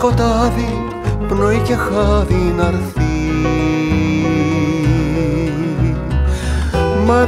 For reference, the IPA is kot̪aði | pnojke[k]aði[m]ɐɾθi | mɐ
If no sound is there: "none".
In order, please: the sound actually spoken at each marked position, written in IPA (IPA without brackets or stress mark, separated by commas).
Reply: x, n